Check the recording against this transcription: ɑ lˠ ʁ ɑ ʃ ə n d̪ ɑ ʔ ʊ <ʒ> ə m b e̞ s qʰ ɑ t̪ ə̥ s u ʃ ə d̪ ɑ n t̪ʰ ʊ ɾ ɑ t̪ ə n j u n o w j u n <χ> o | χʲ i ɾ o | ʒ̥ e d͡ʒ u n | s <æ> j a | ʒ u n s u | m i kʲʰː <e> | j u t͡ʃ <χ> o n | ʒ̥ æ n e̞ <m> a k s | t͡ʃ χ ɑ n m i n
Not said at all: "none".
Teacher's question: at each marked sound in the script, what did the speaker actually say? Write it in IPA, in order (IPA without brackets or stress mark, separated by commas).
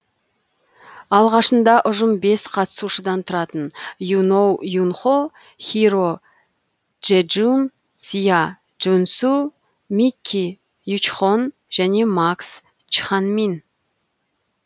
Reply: ʒ, χ, i, i, χ, m